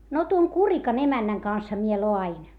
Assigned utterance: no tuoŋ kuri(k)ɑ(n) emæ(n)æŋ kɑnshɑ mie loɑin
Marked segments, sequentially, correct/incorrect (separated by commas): correct, correct, incorrect